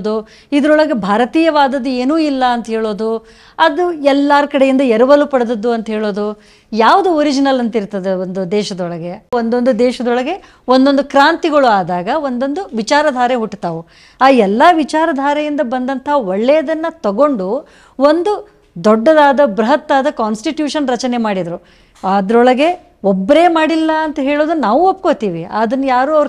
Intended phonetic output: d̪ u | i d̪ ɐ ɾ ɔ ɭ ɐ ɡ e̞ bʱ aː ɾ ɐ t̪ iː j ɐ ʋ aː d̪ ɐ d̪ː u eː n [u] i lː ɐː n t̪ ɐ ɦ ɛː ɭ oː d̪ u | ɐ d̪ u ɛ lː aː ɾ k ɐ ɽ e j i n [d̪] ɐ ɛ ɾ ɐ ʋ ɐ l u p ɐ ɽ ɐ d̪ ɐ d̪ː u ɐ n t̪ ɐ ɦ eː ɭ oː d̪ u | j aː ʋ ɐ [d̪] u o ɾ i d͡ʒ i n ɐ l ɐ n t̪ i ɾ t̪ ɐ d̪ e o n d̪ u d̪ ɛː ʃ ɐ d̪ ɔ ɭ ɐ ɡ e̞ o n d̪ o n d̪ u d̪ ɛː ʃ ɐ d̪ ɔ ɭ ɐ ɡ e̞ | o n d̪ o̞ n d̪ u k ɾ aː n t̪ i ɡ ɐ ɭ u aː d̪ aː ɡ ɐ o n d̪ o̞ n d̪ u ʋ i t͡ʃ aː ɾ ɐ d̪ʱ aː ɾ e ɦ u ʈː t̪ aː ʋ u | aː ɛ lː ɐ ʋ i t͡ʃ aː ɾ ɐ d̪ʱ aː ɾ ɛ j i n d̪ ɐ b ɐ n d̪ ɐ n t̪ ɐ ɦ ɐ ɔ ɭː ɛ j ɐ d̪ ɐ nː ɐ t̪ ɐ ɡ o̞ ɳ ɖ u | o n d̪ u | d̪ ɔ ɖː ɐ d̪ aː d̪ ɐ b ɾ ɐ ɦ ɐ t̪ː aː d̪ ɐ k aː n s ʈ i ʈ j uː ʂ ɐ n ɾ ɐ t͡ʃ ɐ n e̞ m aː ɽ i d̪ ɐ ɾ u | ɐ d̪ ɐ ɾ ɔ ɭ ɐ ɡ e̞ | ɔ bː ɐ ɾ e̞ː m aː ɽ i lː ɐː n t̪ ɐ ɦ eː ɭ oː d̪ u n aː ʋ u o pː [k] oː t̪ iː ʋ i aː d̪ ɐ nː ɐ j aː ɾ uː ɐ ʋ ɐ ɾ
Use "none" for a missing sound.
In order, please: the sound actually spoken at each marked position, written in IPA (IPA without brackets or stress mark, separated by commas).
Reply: uː, d̪, d̪, k